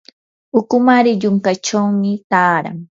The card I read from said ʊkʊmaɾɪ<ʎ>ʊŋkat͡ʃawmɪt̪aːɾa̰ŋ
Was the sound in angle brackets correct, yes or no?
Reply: yes